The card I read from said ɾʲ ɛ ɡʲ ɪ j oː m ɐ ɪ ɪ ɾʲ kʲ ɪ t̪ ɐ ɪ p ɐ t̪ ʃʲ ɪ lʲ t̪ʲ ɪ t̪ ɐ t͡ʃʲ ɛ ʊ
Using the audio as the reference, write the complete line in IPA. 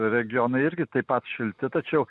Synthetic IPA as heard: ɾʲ ɛ ɡʲ ɪ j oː n ɐ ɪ ɪ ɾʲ ɡʲ ɪ t̪ ɐ ɪ p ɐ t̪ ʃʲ ɪ lʲ t̪ʲ ɪ t̪ ɐ t͡ʃʲ ɛ ʊ